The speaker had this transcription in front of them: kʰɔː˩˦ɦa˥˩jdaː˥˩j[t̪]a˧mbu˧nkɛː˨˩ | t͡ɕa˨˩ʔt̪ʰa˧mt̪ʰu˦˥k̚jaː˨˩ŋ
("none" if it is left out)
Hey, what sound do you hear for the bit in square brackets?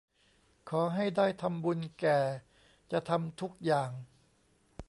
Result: t̪ʰ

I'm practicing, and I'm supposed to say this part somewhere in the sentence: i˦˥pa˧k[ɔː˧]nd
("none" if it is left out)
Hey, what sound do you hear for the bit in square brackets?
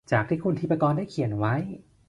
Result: ɔː˧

